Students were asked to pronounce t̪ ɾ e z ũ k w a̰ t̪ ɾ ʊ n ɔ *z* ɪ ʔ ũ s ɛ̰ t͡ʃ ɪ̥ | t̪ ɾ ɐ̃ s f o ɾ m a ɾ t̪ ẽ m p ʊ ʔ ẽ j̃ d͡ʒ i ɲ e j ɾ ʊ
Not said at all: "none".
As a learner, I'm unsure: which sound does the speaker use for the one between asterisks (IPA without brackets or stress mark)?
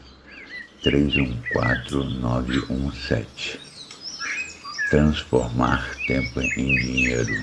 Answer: v